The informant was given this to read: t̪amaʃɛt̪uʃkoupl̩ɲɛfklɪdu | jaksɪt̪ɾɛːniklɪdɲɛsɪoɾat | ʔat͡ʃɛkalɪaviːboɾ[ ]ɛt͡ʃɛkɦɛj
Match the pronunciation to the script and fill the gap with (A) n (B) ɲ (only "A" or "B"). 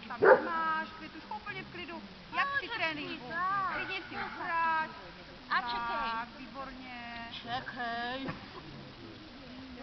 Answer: B